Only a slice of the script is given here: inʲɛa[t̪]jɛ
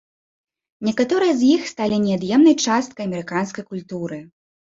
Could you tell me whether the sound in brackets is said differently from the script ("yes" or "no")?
yes